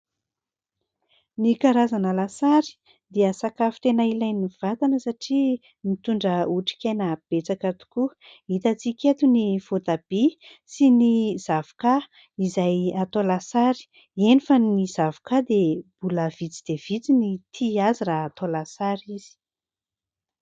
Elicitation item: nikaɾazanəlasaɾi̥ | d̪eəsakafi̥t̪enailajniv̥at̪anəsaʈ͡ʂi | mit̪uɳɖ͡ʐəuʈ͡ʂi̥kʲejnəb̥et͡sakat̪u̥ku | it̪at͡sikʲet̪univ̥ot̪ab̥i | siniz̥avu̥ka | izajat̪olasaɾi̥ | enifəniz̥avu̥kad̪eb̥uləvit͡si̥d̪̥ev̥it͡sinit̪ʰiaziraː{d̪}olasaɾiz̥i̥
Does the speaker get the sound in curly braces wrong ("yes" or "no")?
yes